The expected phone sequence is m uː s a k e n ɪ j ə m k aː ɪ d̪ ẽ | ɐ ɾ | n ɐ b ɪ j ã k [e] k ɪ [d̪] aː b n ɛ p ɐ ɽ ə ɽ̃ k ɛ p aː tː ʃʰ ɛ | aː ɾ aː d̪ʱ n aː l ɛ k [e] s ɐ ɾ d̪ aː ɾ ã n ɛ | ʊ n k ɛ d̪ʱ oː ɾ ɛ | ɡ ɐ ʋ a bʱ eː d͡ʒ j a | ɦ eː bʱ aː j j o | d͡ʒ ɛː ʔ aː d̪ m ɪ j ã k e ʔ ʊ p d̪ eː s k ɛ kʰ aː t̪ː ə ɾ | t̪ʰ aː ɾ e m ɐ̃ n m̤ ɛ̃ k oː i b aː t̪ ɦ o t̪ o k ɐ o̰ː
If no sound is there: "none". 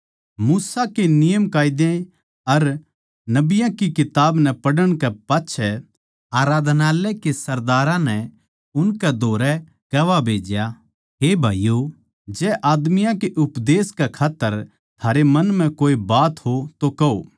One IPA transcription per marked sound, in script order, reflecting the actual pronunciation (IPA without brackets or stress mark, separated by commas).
i, t̪, e